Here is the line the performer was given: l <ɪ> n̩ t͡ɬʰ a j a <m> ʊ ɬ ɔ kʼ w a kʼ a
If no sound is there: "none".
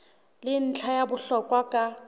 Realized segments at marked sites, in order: ɪ, b

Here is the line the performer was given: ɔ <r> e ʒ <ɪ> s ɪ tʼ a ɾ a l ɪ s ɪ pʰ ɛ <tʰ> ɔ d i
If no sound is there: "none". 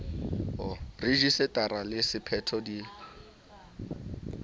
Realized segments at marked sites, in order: r, i, tʰ

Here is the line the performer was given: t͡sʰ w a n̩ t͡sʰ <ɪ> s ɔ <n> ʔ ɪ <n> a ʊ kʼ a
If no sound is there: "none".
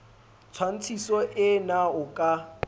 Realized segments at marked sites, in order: i, none, n

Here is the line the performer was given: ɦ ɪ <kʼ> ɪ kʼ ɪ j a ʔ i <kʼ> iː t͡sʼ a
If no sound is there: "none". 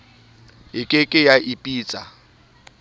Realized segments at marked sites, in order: kʼ, pʼ

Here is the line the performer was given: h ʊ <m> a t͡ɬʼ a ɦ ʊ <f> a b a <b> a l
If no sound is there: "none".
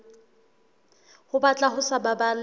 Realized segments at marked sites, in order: b, s, b

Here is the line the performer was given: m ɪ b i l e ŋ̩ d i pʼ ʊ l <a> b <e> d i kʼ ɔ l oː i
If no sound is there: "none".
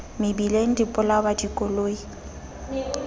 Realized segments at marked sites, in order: a, a

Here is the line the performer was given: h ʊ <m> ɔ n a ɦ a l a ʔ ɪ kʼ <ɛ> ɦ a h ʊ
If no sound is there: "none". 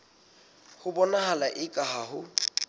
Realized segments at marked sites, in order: b, a

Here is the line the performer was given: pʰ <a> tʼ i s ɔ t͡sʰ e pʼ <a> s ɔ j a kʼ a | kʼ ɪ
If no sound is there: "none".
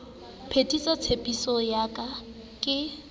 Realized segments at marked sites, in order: e, i

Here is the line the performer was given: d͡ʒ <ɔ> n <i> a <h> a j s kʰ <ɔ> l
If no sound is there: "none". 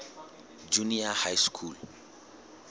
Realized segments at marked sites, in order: u, i, h, u

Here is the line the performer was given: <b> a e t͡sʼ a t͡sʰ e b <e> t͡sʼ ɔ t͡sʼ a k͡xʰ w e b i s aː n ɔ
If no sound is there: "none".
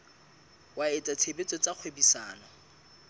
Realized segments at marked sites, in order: w, e

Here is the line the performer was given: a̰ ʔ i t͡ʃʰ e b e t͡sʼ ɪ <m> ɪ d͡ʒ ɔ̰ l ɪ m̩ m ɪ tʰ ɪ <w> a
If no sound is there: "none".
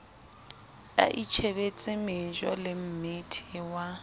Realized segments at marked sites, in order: m, w

